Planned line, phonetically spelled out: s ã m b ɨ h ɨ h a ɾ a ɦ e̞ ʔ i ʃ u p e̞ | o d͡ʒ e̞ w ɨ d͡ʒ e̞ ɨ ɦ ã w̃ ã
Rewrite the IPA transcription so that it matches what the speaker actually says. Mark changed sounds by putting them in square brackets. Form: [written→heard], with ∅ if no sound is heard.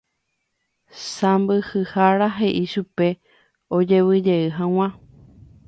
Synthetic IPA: s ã m b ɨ h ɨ h a ɾ a ɦ e̞ ʔ i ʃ u p e̞ | o d͡ʒ e̞ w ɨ d͡ʒ e̞ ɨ ɦ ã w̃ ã